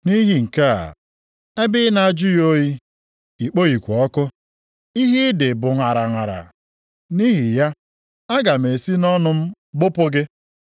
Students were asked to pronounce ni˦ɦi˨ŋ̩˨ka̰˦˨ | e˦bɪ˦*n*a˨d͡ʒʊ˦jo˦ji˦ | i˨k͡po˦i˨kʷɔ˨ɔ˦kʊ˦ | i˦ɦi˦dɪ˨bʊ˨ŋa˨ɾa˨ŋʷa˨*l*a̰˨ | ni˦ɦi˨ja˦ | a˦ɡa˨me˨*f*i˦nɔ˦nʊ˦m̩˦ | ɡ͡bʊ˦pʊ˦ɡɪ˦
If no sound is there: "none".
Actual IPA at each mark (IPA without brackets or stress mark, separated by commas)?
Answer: n, ɾ, s